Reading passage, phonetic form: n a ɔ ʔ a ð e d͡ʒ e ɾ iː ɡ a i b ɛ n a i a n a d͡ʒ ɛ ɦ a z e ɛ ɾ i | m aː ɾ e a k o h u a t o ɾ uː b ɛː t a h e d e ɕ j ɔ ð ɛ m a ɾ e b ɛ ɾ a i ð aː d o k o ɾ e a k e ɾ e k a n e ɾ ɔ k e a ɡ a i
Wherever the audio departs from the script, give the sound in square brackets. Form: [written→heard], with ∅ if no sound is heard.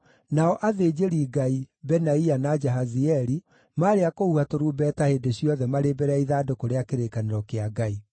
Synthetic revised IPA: n a ɔ ʔ a ð e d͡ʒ e ɾ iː ɡ a i b ɛ n a i a n a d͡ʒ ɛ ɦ a z [e→i] ɛ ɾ i | m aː ɾ e a k o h u a t o ɾ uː b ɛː t a h e d e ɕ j ɔ ð ɛ m a ɾ e b ɛ ɾ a i ð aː d o k o ɾ e a k e ɾ e k a n e ɾ ɔ k e a ɡ a i